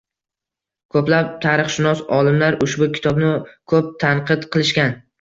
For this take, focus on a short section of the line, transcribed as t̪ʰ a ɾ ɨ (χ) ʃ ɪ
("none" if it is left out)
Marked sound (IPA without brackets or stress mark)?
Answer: χ